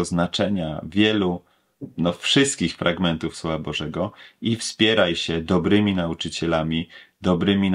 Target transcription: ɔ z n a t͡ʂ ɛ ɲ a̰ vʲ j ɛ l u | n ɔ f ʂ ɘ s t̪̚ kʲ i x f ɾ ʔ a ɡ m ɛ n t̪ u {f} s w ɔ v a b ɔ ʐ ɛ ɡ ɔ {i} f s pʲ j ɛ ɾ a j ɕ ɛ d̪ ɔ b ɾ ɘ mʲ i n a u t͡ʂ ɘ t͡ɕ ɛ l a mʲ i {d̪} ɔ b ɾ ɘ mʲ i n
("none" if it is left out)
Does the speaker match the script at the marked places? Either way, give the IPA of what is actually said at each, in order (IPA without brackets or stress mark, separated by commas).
f, i, d̪